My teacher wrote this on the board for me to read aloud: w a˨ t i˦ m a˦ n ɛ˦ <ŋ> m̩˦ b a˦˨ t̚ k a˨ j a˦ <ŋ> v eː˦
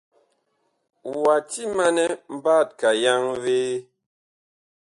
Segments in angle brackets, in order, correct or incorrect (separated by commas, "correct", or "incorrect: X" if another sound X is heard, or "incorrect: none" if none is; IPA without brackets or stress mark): incorrect: none, correct